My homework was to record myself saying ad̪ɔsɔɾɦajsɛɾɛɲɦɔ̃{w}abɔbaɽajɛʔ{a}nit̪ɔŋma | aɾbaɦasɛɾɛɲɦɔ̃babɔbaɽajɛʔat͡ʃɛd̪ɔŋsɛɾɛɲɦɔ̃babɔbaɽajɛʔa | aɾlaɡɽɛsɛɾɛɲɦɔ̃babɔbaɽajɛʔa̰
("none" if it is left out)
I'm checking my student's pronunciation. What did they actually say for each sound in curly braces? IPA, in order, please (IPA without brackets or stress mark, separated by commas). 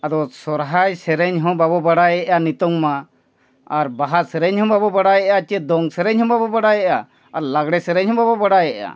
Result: b, a